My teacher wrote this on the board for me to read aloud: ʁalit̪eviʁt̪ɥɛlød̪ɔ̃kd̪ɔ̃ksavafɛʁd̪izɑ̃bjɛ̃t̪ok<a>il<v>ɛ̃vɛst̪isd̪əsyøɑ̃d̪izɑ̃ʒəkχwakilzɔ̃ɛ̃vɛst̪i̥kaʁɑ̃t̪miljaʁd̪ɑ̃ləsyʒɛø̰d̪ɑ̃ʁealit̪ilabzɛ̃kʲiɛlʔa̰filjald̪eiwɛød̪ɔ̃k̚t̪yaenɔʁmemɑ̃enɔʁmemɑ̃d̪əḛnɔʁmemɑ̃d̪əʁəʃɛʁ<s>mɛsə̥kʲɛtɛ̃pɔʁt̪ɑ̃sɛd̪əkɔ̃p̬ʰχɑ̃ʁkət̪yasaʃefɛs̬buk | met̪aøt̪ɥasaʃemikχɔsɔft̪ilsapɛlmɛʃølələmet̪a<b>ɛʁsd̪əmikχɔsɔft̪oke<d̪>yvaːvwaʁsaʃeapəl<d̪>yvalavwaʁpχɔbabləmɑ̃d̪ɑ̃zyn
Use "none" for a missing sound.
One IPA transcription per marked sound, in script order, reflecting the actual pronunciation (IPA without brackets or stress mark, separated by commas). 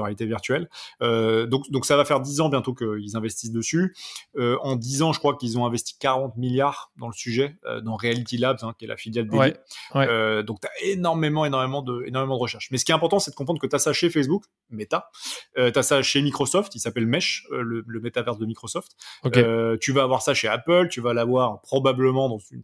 ə, z, ʃ, v, t̪, t̪